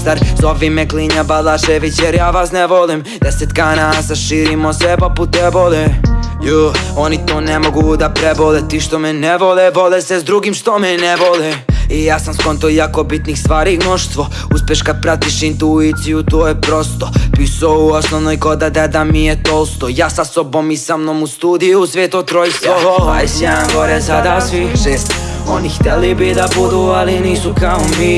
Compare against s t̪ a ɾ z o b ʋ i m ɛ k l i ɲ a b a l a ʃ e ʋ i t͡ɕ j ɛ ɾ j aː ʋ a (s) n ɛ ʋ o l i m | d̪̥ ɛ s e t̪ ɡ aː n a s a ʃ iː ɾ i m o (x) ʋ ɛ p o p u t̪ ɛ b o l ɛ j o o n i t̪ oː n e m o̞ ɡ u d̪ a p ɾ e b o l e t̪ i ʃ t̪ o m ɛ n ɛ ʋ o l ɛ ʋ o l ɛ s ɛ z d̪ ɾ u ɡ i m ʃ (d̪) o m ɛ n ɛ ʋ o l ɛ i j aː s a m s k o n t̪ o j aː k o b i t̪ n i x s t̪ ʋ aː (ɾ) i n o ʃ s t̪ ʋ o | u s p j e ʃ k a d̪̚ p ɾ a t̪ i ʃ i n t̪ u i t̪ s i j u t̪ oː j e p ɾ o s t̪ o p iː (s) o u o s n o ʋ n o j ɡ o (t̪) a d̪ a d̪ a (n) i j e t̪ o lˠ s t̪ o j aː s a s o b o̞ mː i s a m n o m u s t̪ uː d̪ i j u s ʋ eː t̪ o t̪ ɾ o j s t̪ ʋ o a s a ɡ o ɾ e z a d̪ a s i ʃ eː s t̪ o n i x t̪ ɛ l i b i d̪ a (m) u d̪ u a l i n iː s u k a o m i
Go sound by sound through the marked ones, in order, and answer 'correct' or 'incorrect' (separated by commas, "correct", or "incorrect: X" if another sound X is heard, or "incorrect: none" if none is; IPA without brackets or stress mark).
correct, incorrect: s, incorrect: t̪, correct, correct, incorrect: d̪, incorrect: m, incorrect: b